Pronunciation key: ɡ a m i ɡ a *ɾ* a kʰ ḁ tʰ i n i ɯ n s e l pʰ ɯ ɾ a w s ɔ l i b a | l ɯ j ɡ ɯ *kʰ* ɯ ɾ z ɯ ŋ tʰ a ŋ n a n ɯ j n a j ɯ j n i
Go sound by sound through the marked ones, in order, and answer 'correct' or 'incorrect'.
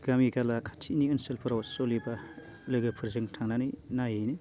incorrect, incorrect

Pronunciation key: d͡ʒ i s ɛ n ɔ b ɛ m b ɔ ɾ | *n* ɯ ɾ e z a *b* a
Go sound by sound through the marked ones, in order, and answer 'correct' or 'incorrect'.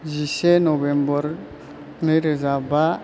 correct, correct

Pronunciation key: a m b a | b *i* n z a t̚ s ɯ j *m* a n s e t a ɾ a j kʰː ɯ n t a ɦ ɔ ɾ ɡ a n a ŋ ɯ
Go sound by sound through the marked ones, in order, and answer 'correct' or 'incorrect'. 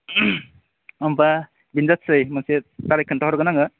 correct, correct

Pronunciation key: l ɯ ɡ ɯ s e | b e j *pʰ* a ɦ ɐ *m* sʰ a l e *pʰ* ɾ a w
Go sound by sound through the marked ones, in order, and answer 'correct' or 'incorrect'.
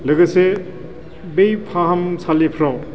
correct, correct, correct

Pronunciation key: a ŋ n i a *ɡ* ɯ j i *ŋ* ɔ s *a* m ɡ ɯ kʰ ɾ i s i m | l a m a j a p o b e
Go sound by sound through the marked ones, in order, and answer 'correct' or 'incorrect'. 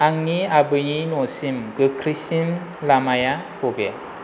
incorrect, incorrect, incorrect

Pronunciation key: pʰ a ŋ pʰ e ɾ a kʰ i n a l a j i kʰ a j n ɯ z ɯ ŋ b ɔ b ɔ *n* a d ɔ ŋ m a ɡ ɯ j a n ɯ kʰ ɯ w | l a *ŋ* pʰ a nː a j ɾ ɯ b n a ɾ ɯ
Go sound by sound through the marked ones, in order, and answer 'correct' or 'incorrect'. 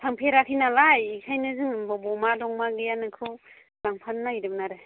incorrect, correct

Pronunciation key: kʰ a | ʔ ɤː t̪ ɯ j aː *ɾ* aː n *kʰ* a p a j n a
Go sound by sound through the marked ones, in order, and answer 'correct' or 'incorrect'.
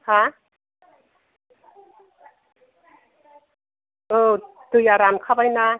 correct, correct

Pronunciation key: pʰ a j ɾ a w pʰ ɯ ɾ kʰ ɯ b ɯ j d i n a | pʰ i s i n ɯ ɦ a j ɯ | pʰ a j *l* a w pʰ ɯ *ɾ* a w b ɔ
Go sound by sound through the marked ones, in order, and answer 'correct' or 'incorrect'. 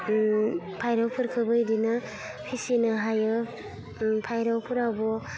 incorrect, correct

